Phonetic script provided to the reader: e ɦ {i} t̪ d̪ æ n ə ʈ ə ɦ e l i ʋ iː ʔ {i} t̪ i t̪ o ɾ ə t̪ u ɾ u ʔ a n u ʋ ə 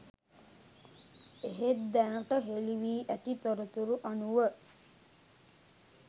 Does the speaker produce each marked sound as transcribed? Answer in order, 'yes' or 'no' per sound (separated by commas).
no, no